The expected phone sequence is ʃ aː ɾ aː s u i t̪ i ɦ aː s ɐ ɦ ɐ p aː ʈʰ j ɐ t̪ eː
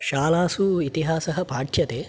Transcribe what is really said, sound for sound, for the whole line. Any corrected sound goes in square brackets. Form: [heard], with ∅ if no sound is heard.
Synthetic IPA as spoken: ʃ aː [l] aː s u i t̪ i ɦ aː s ɐ ɦ ɐ p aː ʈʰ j ɐ t̪ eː